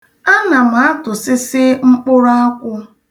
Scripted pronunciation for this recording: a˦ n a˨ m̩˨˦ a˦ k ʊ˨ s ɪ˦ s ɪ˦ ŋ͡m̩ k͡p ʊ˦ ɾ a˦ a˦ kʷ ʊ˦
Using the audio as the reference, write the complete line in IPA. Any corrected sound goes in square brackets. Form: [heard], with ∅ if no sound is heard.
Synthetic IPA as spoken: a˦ n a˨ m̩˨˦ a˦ [t] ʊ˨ s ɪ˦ s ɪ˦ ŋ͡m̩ k͡p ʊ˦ ɾ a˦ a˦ kʷ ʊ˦